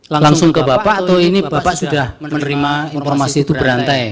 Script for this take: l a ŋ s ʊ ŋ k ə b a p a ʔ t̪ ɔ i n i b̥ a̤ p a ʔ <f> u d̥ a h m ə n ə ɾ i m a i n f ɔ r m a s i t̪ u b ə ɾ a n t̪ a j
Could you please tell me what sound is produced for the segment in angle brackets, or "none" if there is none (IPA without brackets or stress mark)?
s